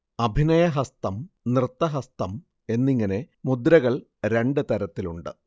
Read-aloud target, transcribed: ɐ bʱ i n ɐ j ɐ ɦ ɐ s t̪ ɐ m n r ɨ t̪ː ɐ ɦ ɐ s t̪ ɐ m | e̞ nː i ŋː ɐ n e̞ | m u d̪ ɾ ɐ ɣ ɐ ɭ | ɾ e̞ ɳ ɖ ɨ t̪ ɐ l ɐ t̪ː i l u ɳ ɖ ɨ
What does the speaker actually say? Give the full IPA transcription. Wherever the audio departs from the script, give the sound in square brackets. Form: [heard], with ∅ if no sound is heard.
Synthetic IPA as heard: ɐ bʱ i n ɐ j ɐ ɦ ɐ s t̪ ɐ m n r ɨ t̪ː ɐ ɦ ɐ s t̪ ɐ m | e̞ nː i ŋː ɐ n e̞ | m u d̪ ɾ ɐ ɣ ɐ ɭ | ɾ e̞ ɳ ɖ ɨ t̪ ɐ [ɾ] ɐ t̪ː i l u ɳ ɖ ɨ

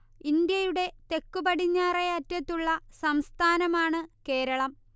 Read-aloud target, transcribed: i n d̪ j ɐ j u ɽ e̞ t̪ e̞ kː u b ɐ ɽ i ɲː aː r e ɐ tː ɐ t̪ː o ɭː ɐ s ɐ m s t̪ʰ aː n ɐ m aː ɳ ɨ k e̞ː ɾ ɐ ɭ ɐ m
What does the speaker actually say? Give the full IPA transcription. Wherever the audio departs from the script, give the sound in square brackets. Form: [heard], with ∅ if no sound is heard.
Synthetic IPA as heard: i n d̪ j ɐ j u ɽ e̞ t̪ e̞ kː u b ɐ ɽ i ɲː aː r e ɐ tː ɐ t̪ː [u] ɭː ɐ s ɐ m s t̪ʰ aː n ɐ m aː ɳ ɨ k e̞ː ɾ ɐ ɭ ɐ m

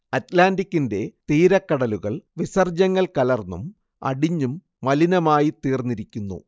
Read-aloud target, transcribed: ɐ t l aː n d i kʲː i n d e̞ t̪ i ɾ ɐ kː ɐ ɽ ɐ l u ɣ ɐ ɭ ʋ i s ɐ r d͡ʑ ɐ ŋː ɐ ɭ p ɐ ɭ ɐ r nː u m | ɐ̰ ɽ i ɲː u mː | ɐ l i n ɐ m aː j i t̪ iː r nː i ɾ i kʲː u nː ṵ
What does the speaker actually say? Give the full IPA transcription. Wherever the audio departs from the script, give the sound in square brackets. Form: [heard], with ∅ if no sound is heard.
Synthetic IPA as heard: ɐ t l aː n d i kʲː i n d e̞ t̪ [iː] ɾ ɐ kː ɐ ɽ ɐ l u ɣ ɐ ɭ ʋ i s ɐ r d͡ʑ ɐ ŋː ɐ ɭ [k] ɐ [l] ɐ r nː u m | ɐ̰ ɽ i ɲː u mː | ɐ l i n ɐ m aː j i t̪ iː r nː i ɾ i kʲː u nː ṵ

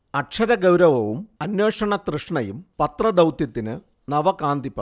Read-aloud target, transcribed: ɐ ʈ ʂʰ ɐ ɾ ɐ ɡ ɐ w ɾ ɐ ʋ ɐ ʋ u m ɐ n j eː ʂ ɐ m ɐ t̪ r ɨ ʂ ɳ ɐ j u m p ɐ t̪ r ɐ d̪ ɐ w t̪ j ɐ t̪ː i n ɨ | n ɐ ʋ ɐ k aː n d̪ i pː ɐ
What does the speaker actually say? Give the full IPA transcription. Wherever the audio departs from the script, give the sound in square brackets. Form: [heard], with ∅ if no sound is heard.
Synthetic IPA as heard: ɐ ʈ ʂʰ ɐ ɾ ɐ ɡ ɐ w ɾ ɐ ʋ ɐ ʋ u m ɐ n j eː ʂ ɐ [ɳ] ɐ t̪ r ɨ ʂ ɳ ɐ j u m p ɐ t̪ r ɐ d̪ ɐ w t̪ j ɐ t̪ː i n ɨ | n ɐ ʋ ɐ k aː n d̪ i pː ɐ

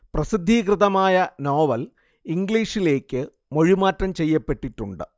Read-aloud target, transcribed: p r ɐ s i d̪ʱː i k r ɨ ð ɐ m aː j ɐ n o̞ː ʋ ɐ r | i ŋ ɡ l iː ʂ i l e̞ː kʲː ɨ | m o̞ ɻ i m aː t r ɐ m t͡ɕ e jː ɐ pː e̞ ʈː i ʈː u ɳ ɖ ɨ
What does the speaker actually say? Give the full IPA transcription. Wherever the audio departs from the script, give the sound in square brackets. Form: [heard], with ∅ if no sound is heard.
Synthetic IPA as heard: p r ɐ s i d̪ʱː i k r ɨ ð ɐ m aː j ɐ n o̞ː ʋ ɐ [l] | i ŋ ɡ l iː ʂ i l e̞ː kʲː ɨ | m o̞ ɻ i m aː t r ɐ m t͡ɕ e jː ɐ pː e̞ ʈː i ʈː u ɳ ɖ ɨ

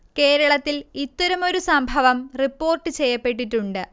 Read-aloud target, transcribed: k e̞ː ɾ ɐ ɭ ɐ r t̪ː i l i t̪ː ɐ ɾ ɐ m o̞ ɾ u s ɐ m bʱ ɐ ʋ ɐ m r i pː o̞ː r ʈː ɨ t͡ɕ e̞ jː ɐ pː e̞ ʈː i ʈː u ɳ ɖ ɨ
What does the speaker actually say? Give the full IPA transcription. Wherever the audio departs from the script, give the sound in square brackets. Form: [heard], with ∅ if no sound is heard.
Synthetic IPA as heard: k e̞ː ɾ ɐ ɭ ɐ [∅] t̪ː i l i t̪ː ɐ ɾ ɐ m o̞ ɾ u s ɐ m bʱ ɐ ʋ ɐ m r i pː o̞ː r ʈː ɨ t͡ɕ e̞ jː ɐ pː e̞ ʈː i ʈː u ɳ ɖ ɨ

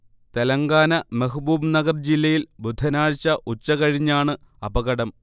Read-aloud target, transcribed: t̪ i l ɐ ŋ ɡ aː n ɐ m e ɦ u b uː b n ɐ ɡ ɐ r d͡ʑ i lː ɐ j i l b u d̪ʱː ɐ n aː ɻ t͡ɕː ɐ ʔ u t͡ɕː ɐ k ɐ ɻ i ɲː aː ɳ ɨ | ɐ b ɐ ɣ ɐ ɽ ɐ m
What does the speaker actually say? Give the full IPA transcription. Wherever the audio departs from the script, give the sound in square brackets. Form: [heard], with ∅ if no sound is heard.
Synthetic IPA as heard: t̪ [e] l ɐ ŋ ɡ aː n ɐ m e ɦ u b uː b n ɐ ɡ ɐ r d͡ʑ i lː ɐ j i l b u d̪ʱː ɐ n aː ɻ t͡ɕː ɐ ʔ u t͡ɕː ɐ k ɐ ɻ i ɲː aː ɳ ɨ | ɐ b ɐ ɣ ɐ ɽ ɐ m

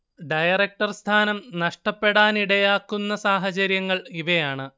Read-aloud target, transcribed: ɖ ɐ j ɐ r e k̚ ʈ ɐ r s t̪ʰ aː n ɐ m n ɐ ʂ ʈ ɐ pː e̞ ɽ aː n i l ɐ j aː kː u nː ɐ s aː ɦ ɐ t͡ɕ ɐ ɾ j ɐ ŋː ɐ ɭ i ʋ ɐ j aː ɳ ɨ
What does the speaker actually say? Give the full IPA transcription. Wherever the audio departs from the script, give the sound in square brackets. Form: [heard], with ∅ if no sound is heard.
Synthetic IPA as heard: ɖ ɐ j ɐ r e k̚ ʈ ɐ r s t̪ʰ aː n ɐ m n ɐ ʂ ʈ ɐ pː e̞ ɽ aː n i [ɽ] ɐ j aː kː u nː ɐ s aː ɦ ɐ t͡ɕ ɐ ɾ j ɐ ŋː ɐ ɭ i ʋ ɐ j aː ɳ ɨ

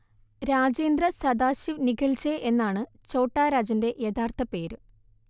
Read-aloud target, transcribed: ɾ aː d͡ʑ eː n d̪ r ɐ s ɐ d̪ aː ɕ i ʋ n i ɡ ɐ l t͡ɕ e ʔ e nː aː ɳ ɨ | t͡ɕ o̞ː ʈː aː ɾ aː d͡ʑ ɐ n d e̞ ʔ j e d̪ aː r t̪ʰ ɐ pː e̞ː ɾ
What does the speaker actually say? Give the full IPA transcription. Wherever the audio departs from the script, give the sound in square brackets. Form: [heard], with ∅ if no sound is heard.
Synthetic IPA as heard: ɾ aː d͡ʑ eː n d̪ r ɐ s ɐ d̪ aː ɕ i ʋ n i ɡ ɐ l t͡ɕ e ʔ e nː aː ɳ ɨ | t͡ɕ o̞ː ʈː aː ɾ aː d͡ʑ ɐ n d e̞ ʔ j e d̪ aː r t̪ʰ ɐ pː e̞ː ɾ

